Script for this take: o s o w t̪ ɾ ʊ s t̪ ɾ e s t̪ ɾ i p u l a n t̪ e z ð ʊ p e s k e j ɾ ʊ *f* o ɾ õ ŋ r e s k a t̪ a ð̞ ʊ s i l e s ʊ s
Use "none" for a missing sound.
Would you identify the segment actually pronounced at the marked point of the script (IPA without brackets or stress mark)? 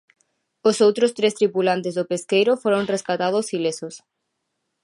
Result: f